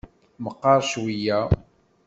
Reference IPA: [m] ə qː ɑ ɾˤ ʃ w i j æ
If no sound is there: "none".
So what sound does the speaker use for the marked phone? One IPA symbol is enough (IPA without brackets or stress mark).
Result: m